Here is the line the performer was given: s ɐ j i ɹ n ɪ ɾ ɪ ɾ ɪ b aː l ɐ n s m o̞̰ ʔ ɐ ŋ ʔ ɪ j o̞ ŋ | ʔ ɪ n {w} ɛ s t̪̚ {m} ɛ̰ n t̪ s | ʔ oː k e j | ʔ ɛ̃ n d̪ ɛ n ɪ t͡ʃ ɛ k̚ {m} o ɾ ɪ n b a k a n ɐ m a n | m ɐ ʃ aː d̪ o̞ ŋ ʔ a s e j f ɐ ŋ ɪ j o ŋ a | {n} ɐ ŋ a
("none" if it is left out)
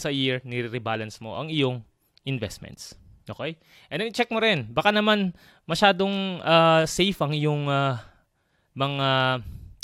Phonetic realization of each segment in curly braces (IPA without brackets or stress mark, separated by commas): v, m, m, m